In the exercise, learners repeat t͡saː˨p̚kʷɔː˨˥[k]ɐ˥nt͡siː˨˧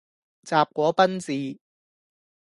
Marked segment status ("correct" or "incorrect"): incorrect